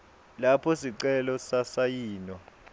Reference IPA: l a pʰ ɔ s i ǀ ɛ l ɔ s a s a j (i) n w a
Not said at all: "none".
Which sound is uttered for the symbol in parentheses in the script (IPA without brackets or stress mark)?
iː